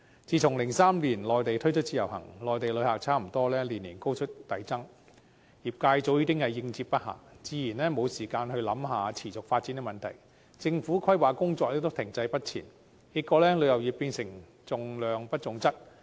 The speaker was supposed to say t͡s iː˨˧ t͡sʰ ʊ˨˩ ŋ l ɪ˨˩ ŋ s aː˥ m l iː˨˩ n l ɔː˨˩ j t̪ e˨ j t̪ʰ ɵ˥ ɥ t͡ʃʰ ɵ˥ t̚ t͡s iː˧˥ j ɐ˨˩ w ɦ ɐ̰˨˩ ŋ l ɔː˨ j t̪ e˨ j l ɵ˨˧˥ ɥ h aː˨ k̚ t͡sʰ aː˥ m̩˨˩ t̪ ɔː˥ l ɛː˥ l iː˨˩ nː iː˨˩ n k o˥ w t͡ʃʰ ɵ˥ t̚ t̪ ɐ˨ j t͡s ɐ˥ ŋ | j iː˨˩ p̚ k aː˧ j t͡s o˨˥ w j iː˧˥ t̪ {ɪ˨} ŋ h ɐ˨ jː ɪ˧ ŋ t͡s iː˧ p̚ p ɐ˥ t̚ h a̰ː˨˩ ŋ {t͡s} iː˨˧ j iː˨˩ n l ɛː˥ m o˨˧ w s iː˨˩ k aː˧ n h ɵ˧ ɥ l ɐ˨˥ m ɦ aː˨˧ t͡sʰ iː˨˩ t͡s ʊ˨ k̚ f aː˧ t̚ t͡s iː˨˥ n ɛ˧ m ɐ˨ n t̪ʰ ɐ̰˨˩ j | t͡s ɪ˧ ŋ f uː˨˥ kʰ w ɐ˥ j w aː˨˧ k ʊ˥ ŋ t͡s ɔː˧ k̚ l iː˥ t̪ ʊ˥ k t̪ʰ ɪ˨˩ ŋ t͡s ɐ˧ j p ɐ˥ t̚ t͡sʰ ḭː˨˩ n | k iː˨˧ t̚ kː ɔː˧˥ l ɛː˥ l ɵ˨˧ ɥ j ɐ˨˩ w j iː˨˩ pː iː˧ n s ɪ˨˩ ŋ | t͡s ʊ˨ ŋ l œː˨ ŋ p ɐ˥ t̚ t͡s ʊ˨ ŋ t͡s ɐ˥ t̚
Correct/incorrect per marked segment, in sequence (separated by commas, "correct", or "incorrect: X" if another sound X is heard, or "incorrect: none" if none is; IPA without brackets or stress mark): incorrect: ɪ˥, correct